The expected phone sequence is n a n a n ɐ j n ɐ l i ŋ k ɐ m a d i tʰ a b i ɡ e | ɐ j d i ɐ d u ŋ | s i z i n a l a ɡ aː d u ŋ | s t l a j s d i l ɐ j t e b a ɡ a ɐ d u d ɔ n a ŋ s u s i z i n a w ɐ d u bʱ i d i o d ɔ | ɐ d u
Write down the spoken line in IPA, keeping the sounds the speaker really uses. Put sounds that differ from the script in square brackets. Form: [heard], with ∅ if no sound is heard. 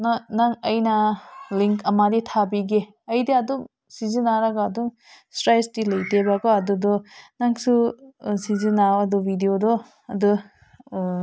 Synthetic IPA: n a n a [ŋ] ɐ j n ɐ l i ŋ k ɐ m a d i tʰ a b i ɡ e | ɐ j d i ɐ d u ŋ | s i z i n a [ɾ] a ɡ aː d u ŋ | s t [ɾ] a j s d i l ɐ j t e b a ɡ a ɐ d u d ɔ n a ŋ s u s i z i n a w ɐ d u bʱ i d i o d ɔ | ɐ d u